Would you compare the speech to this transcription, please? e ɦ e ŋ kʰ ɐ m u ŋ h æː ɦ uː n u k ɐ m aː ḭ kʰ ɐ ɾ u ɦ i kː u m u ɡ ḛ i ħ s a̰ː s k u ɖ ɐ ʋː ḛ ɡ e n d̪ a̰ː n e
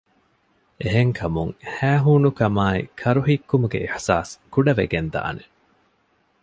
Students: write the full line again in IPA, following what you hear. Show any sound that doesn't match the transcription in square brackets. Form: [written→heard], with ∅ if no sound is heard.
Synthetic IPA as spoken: e ɦ e ŋ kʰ ɐ m u ŋ h æː ɦ uː n u k ɐ m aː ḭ kʰ ɐ ɾ u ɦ i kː u m u ɡ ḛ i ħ s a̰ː s k u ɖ ɐ [ʋː→ʋ] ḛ ɡ e n d̪ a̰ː n e

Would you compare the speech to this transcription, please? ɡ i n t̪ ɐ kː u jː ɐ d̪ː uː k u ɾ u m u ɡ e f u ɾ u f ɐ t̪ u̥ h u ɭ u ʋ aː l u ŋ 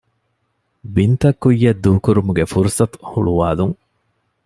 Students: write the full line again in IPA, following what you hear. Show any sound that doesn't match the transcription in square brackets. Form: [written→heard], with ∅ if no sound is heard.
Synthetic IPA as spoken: [ɡ→b] i n t̪ ɐ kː u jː ɐ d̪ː uː k u ɾ u m u ɡ e f u ɾ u [f→s] ɐ t̪ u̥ h u ɭ u ʋ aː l u ŋ

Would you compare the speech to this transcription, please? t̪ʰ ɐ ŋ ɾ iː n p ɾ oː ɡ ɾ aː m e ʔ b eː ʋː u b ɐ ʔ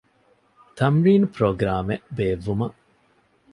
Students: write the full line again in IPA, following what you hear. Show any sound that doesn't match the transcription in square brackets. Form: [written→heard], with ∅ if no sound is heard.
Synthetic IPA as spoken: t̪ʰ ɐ [ŋ→m] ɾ iː n p ɾ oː ɡ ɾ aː m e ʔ b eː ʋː u [b→m] ɐ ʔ

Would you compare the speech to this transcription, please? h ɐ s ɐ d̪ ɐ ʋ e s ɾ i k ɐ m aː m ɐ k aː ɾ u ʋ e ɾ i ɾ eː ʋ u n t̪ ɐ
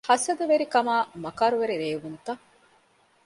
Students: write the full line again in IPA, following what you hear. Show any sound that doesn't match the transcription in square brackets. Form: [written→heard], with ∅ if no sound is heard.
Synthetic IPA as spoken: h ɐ s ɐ d̪ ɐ ʋ e [s→∅] ɾ i k ɐ m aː m ɐ k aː ɾ u ʋ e ɾ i ɾ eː ʋ u n t̪ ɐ

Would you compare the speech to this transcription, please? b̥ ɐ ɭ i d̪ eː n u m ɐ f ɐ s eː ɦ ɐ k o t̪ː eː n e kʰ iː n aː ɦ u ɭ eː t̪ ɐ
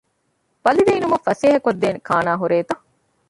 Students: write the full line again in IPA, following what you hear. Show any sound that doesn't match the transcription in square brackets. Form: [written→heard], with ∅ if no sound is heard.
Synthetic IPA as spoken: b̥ ɐ [ɭ→l] i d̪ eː n u m ɐ f ɐ s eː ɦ ɐ k o [t̪ː→d̪ː] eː n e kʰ [iː→aː] n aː ɦ u [ɭ→ɾ] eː t̪ ɐ

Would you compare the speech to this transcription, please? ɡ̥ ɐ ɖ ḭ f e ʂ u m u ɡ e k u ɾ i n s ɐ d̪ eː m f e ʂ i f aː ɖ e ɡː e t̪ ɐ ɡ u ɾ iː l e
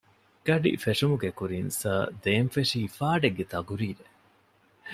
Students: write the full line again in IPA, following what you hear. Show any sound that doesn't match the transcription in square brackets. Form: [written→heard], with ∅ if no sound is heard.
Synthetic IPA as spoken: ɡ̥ ɐ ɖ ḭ f e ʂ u m u ɡ e k u ɾ i n s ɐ d̪ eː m f e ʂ [i→iː] f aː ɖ e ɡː e t̪ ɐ ɡ u ɾ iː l e

